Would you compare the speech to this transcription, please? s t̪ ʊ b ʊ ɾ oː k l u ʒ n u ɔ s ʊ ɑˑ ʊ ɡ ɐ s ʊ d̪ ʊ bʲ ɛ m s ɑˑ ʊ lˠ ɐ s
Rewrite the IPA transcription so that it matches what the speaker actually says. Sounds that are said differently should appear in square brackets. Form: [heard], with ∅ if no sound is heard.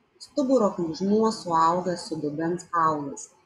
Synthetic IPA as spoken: s t̪ ʊ b ʊ ɾ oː k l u ʒ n u ɔ s ʊ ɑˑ ʊ ɡ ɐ s ʊ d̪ ʊ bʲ ɛ [n] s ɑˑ ʊ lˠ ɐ s